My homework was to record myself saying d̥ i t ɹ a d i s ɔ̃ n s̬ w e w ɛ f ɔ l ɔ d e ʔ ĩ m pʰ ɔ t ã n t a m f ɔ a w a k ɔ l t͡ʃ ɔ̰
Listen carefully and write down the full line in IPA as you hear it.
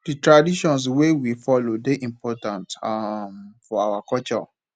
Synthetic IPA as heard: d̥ i t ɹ a d i ʃ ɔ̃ n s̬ w e w i f ɔ l o d e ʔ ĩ m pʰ ɔ t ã n t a m f ɔ a w a k ɔ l t͡ʃ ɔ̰

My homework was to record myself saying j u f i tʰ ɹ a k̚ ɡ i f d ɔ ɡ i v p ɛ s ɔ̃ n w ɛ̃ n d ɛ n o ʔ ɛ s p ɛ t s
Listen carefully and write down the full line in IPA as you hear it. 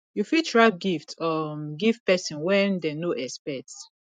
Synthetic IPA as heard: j u f i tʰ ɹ a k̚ ɡ i f t ɔ ɡ i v p ɛ s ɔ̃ n w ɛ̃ n d ɛ n o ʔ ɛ s p ɛ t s

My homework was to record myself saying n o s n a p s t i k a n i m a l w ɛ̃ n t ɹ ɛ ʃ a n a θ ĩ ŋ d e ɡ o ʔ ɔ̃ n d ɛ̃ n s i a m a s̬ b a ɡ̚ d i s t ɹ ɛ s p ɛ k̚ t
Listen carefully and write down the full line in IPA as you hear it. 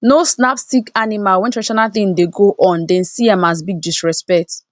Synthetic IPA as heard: n o s n a p s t i k a n i m a l w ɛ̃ n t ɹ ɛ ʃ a n a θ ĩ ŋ d e ɡ o ʔ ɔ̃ n d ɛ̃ n s i a m a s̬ b i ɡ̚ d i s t ɹ ɛ s p ɛ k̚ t

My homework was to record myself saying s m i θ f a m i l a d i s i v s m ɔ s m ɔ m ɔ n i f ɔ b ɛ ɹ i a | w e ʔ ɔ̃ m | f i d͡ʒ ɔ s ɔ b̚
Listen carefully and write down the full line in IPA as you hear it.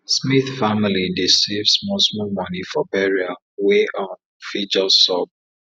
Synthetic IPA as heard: s m i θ f a m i l i d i s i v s m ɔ s m ɔ m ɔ n i f ɔ b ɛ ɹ i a | w e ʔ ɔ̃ n | f i d͡ʒ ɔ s ɔ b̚

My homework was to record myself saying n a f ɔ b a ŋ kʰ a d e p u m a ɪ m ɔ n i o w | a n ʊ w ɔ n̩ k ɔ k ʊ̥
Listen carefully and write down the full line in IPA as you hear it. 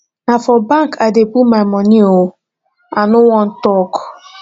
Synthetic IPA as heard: n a f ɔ b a ŋ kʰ a d e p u m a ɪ m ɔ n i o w | a n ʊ w ɔ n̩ t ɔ k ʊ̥

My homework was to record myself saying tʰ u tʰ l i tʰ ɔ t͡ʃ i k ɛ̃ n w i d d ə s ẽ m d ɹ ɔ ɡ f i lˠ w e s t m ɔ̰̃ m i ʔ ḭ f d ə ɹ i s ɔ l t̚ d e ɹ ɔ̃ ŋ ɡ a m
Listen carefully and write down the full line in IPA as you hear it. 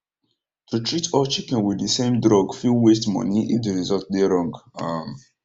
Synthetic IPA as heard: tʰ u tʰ ɹ i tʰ ɔ t͡ʃ i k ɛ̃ n w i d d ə s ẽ m d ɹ ɔ ɡ f i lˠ w e s t m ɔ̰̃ n i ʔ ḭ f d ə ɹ i z ɔ l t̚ d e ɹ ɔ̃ ŋ ɡ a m

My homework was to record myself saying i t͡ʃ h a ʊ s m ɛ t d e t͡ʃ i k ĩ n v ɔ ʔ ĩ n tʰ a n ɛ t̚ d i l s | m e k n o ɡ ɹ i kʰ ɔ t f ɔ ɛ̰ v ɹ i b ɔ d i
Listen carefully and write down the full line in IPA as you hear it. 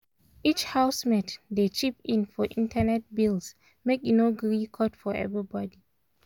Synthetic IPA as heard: i t͡ʃ h a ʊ s m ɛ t d e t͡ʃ i p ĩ n f ɔ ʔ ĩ n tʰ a n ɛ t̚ b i l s | m e k n o ɡ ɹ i kʰ ɔ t f ɔ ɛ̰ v ɹ i b ɔ d i

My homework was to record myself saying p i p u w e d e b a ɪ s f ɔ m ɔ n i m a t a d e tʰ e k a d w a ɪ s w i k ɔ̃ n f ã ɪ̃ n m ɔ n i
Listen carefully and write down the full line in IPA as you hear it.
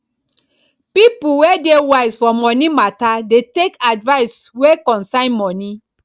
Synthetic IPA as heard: p i p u w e d e w a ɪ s f ɔ m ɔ n i m a t a d e t e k a d v a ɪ s w e k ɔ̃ n s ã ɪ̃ n m ɔ n i

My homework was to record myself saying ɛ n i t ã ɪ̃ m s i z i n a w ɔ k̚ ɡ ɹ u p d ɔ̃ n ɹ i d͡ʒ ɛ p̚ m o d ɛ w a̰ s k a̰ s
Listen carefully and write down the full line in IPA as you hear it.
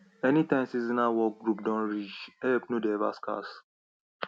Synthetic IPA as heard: ɛ n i t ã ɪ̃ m s i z i n a w ɔ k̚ ɡ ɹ u p d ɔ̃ n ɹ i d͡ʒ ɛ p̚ n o d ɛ v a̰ s k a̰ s

